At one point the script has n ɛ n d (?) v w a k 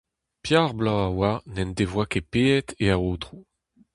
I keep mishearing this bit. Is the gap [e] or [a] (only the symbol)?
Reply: e